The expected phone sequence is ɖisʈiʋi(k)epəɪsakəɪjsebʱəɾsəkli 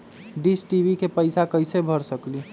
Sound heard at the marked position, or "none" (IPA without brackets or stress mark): k